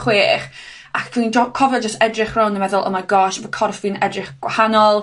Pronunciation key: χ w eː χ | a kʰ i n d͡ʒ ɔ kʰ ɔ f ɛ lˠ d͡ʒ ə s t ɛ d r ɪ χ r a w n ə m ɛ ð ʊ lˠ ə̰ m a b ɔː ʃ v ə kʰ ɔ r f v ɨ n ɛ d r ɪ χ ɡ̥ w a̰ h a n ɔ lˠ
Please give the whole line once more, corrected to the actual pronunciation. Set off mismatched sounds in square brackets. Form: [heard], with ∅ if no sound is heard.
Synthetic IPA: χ w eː χ | a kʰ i n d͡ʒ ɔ kʰ ɔ [v] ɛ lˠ d͡ʒ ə s t ɛ d r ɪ χ r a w n ə m ɛ ð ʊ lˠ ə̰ m a [ɡ] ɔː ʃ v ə kʰ ɔ r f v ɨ n ɛ d r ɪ χ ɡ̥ w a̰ h a n ɔ lˠ